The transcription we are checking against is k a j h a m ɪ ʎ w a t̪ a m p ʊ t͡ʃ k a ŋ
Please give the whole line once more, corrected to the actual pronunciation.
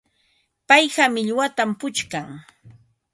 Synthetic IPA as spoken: p a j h a m ɪ ʎ w a t̪ a m p ʊ t͡ʃ k a ŋ